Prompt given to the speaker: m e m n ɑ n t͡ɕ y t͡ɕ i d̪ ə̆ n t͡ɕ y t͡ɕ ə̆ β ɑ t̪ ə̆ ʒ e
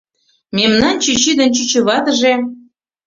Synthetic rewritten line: m e m n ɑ n t͡ɕ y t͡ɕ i d̪ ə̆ n t͡ɕ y t͡ɕ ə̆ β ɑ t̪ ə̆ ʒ e